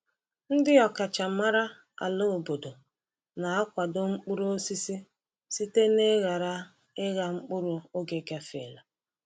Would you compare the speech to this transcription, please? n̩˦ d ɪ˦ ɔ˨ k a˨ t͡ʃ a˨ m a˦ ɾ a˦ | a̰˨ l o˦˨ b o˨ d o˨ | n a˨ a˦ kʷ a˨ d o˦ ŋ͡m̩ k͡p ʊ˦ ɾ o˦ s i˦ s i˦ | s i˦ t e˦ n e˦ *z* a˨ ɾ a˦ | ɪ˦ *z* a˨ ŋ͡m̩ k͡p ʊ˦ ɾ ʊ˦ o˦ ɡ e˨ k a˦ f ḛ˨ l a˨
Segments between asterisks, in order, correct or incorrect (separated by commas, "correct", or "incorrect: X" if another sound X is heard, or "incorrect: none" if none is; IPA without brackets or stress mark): incorrect: ɣ, incorrect: ɣ